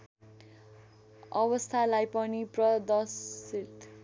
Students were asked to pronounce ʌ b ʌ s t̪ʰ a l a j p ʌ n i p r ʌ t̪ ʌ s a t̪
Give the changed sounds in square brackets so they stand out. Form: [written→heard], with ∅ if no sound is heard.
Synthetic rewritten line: ʌ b ʌ s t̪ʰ a l a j p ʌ n i p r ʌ [t̪→d̪] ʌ s [a→i] t̪

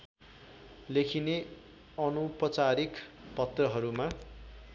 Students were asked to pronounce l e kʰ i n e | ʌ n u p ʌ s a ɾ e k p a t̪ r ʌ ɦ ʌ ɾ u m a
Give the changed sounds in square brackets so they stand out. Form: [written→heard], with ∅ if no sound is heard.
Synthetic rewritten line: l e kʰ i n e | ʌ n u p ʌ [s→t͡s] a ɾ [e→i] k p [a→ʌ] t̪ r ʌ ɦ ʌ ɾ u m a

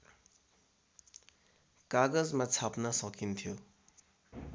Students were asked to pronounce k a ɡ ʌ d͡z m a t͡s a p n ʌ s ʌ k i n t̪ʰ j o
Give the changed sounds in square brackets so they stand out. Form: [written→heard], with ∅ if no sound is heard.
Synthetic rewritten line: k a ɡ ʌ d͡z m a [t͡s→t͡sʰ] a p n ʌ s ʌ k i n t̪ʰ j o

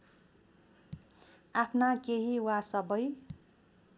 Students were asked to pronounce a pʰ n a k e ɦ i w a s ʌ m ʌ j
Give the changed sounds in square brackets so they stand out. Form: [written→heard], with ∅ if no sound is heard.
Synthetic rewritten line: a pʰ n a k e ɦ i w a s ʌ [m→b] ʌ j

